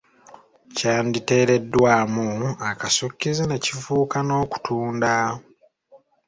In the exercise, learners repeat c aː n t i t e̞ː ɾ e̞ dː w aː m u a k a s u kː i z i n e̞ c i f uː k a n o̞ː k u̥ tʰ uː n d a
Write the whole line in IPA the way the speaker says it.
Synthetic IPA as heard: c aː n d i t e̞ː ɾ e̞ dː w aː m u a k a s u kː i z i n e̞ c i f uː k a n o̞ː k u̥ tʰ uː n d a